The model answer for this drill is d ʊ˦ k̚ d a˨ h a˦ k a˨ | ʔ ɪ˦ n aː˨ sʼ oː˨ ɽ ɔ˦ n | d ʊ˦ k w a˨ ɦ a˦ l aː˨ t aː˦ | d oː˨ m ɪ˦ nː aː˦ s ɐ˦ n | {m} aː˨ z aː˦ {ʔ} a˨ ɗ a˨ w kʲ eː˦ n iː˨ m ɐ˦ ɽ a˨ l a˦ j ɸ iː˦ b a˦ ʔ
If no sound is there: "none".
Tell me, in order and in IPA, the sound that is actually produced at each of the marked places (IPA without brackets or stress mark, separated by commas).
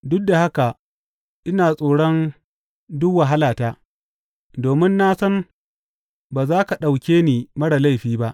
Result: b, k